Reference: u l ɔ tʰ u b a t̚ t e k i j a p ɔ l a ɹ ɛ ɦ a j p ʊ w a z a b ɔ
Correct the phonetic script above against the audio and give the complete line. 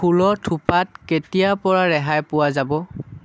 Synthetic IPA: u l ɔ tʰ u p a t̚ k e t i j a p ɔ ɹ a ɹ ɛ ɦ a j p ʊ w a z a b ɔ